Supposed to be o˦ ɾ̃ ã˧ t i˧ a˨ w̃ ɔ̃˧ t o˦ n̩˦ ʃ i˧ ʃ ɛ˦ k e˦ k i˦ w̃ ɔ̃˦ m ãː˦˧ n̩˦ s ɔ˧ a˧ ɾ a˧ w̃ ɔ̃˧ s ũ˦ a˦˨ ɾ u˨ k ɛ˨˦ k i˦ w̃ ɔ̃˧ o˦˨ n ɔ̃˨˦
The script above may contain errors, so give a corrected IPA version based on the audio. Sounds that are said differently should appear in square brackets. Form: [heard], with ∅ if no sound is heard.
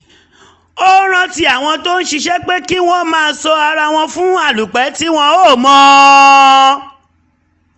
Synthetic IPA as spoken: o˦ ɾ̃ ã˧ t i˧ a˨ w̃ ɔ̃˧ t o˦ n̩˦ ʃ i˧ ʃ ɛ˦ [k͡p] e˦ k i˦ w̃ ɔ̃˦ m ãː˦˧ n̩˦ s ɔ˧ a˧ ɾ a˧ w̃ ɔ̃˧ [f] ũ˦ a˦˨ [l] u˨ [k͡p] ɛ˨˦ [t] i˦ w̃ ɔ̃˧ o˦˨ [m] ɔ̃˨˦